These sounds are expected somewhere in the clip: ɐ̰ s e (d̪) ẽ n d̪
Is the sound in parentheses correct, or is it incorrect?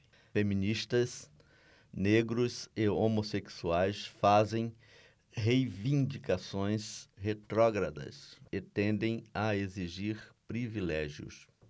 incorrect